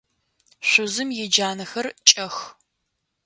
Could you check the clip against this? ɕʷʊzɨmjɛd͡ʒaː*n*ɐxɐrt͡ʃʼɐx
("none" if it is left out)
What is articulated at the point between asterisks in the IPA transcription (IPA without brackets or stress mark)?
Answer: n